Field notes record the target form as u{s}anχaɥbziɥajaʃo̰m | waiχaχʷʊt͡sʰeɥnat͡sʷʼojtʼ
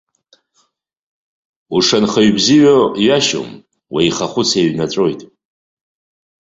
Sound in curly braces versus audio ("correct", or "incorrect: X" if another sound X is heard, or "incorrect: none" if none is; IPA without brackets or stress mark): incorrect: ʂ